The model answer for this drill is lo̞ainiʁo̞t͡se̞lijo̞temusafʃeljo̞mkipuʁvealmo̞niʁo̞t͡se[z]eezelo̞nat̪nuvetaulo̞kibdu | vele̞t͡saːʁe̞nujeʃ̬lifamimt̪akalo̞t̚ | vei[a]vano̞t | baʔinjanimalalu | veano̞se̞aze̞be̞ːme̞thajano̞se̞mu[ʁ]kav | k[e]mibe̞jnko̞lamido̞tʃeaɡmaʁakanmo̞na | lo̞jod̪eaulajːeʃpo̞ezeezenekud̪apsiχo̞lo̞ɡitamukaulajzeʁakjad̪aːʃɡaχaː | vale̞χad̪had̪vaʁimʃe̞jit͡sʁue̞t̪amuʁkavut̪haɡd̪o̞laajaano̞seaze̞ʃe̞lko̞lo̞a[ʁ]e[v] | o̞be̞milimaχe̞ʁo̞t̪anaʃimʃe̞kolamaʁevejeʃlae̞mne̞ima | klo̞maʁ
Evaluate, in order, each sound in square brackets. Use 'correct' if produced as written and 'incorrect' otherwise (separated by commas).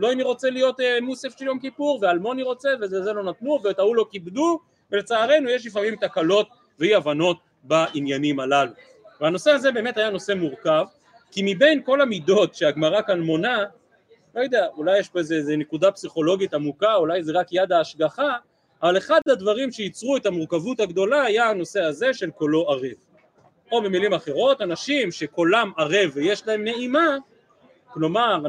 incorrect, correct, correct, incorrect, correct, correct